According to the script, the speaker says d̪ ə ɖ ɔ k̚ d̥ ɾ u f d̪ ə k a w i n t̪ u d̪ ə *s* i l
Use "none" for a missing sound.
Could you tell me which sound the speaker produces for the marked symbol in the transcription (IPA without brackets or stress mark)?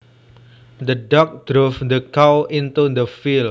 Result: f